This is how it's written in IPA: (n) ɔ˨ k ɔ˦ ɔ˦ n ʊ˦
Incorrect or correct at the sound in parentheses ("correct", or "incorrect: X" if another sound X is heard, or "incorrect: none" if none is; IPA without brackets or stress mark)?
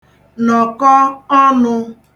correct